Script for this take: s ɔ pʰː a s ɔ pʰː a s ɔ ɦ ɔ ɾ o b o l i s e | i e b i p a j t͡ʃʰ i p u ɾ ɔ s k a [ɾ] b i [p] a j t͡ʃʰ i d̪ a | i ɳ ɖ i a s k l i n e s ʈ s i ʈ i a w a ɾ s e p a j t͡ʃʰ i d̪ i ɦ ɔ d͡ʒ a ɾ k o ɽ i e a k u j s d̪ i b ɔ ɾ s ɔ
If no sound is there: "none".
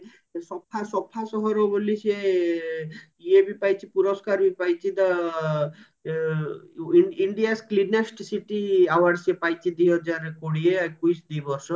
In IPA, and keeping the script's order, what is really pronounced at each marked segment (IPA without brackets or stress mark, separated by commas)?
ɾ, p